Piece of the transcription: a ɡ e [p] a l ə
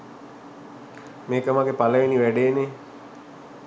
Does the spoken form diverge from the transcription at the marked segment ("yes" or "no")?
no